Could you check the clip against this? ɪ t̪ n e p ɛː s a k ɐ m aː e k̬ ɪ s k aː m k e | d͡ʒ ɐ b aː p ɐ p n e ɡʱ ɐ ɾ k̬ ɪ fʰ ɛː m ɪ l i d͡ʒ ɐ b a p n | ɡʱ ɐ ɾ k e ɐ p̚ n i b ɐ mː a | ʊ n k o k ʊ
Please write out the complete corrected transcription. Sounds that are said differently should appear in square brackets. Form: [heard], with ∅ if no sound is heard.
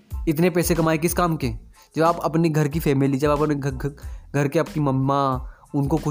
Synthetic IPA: ɪ t̪ n e p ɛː s [e] k ɐ m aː e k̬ ɪ s k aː m k e | d͡ʒ ɐ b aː p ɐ p n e ɡʱ ɐ ɾ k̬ [i] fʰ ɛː m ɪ l i d͡ʒ ɐ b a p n | ɡʱ ɐ ɾ k e ɐ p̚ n i [m] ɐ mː a | ʊ n k o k ʊ